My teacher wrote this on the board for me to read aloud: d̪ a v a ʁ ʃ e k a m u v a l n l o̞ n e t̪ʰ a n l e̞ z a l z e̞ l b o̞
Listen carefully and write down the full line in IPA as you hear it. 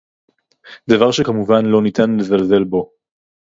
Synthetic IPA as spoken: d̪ a v a ʁ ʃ e k a m u v a n l o̞ n i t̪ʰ a n l e̞ z a l z e̞ l b o̞